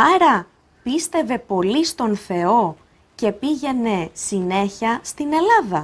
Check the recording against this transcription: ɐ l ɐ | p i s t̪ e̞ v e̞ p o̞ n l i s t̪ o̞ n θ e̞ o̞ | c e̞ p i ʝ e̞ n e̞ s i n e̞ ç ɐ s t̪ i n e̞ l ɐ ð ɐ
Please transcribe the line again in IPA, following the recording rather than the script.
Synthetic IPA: ɐ ɾ ɐ | p i s t̪ e̞ v e̞ p o̞ l i s t̪ o̞ n θ e̞ o̞ | c e̞ p i ʝ e̞ n e̞ s i n e̞ ç ɐ s t̪ i n e̞ l ɐ ð ɐ